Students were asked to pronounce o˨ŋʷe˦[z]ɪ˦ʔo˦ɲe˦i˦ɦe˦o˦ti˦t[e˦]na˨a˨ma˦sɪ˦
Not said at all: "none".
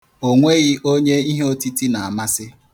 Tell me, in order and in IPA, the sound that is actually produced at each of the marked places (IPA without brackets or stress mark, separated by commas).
ɣ, i˦